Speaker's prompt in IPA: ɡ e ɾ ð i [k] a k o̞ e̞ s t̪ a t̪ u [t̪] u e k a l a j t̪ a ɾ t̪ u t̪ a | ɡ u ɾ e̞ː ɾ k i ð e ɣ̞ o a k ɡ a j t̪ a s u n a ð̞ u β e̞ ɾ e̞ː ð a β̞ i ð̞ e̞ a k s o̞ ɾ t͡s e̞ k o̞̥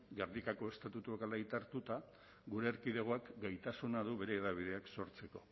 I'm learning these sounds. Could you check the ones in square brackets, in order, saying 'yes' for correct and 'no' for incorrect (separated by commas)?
yes, yes